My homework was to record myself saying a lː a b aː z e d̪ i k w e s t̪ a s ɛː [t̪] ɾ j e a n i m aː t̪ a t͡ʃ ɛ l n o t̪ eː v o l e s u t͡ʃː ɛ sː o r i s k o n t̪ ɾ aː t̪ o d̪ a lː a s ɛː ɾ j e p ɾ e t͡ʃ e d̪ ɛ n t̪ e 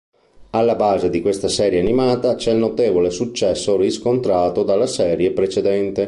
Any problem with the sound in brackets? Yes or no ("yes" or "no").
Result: yes